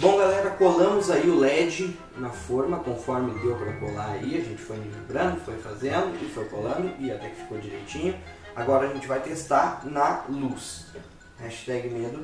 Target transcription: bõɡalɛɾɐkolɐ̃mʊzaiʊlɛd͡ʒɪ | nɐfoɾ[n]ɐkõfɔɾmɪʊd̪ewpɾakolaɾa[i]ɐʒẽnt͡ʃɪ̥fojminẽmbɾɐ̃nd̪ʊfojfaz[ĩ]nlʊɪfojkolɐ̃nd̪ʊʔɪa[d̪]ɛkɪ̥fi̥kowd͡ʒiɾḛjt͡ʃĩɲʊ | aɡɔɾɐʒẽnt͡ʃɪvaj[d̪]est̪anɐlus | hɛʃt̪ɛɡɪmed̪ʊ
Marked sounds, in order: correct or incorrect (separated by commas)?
incorrect, correct, incorrect, incorrect, incorrect